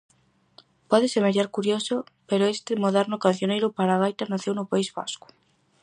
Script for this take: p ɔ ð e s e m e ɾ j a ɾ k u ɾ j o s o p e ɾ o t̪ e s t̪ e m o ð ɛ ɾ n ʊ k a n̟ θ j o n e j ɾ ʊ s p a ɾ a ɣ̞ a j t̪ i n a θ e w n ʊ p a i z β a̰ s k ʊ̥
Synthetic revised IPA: p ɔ ð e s e m e ɾ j a ɾ k u ɾ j o s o p e ɾ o e s t̪ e m o ð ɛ ɾ n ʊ k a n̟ θ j o n e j ɾ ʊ p a ɾ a ɣ̞ a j t̪ a n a θ e w n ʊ p a i z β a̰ s k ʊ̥